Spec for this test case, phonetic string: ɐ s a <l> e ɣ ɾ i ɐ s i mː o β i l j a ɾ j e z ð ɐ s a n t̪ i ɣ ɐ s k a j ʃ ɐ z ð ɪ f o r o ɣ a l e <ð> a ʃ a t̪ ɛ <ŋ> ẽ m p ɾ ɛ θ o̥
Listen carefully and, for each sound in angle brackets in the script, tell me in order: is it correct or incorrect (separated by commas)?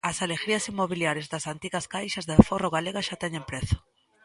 correct, incorrect, incorrect